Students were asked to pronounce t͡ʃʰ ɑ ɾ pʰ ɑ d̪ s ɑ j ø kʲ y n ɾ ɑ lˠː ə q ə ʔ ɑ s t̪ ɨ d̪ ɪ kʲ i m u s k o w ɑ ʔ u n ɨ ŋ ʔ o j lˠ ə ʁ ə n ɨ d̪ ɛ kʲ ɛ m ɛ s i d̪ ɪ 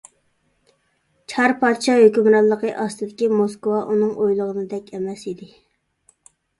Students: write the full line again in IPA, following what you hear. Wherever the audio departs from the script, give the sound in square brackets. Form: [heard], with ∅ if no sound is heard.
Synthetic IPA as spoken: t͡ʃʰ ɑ ɾ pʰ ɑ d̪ [ʃ] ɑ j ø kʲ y [m] ɾ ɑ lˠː ə q ə ʔ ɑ s t̪ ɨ d̪ ɪ kʲ i m [o] s k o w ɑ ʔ u n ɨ ŋ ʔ o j lˠ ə ʁ ə n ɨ d̪ ɛ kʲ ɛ m ɛ s i d̪ ɪ